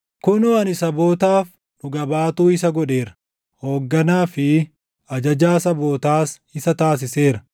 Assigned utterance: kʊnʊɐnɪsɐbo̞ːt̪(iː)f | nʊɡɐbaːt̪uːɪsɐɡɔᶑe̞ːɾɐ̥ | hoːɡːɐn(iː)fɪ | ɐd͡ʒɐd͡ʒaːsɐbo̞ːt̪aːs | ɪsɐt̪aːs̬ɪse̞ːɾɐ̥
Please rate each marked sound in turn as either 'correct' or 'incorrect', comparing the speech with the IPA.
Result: incorrect: aː, incorrect: aː

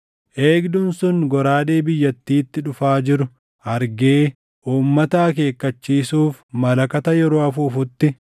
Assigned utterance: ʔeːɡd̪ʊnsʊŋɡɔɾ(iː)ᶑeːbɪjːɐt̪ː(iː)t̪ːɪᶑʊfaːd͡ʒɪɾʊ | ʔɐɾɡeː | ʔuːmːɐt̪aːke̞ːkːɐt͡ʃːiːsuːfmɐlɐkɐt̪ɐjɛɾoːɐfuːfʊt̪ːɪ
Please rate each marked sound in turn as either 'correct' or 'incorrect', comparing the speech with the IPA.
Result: incorrect: aː, correct

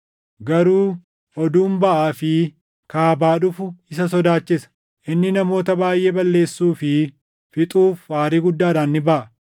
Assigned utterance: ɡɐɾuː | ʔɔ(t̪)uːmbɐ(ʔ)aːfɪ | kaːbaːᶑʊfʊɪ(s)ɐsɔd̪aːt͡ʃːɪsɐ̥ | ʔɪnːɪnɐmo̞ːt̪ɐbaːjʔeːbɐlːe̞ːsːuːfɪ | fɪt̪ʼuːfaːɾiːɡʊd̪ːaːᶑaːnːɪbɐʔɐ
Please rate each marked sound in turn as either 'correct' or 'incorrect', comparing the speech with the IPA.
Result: incorrect: d̪, correct, correct

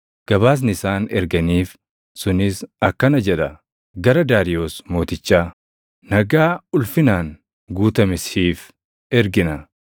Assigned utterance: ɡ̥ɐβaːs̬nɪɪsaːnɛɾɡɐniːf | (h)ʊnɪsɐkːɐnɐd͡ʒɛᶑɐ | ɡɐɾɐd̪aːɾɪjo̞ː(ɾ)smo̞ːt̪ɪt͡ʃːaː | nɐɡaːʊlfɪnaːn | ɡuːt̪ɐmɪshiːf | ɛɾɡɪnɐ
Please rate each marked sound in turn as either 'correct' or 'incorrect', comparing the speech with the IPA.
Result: incorrect: s, incorrect: none

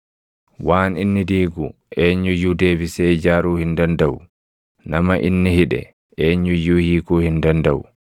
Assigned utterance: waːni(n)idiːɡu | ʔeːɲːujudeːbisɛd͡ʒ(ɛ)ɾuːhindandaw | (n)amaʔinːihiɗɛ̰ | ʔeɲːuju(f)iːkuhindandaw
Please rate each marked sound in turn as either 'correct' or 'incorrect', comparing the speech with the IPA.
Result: incorrect: nː, incorrect: a, correct, incorrect: h

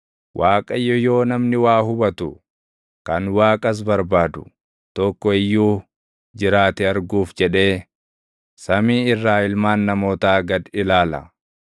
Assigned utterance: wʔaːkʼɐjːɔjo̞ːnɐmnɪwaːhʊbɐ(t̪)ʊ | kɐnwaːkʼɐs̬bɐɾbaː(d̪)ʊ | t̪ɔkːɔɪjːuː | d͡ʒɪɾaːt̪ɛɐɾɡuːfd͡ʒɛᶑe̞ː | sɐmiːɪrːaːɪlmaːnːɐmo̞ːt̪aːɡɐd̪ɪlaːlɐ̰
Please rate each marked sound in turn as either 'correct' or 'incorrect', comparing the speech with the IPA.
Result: correct, correct

